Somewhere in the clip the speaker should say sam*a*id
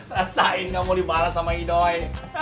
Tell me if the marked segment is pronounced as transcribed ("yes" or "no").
yes